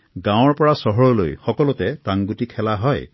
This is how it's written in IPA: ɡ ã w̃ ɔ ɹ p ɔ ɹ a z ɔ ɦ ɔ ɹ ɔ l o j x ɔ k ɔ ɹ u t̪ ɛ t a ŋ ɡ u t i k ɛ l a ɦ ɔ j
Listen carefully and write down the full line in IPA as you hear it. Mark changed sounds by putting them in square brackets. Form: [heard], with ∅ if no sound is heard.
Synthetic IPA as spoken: ɡ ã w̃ ɔ ɹ p ɔ ɹ a [s] ɔ ɦ ɔ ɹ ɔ l o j x ɔ k ɔ [l] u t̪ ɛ t a ŋ ɡ u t i [kʰ] ɛ l a ɦ ɔ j

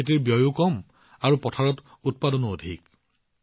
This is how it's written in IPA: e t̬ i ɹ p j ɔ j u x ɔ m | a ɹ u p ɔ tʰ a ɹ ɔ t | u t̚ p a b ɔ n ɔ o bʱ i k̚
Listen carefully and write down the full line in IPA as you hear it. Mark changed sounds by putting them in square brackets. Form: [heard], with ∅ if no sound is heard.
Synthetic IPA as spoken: e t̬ i ɹ [b] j ɔ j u [k] ɔ m | a ɹ u p ɔ tʰ a ɹ ɔ t | u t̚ p a [d] ɔ n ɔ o [dʱ] i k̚

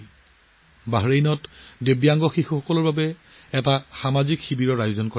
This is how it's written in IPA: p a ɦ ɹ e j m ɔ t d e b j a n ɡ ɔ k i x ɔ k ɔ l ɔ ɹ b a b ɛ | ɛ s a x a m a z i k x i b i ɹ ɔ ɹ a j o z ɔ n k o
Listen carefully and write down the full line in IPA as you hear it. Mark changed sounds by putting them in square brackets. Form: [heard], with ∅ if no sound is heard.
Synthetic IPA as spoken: [b] a ɦ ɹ e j [n] ɔ t d e b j a [ŋ] ɡ ɔ [x] i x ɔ k ɔ l ɔ ɹ b a b ɛ | ɛ [t] a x a m a z i k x i b i ɹ ɔ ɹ a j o z ɔ n k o

